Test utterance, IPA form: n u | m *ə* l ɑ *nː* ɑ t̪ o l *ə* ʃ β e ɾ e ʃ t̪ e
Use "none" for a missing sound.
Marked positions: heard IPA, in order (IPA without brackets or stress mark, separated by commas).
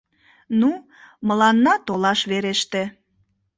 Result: ə, nː, ɑ